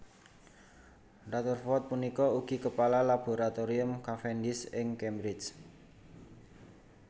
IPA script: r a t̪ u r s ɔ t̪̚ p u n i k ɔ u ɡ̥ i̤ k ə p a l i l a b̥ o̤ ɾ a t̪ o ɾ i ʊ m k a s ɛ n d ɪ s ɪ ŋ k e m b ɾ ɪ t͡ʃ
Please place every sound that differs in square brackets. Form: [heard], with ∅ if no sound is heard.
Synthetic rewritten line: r a t̪ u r [f] ɔ t̪̚ p u n i k ɔ u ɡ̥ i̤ k ə p a l [a] l a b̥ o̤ ɾ a t̪ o ɾ i ʊ m k a [f] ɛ n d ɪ s ɪ ŋ k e m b ɾ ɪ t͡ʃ